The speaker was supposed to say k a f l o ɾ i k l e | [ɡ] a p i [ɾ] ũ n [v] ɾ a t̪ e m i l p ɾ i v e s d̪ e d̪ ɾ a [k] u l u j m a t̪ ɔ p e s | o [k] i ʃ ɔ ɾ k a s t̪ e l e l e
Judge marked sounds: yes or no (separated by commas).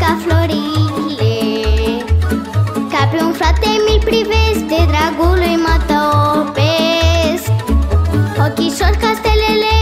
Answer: no, no, no, no, yes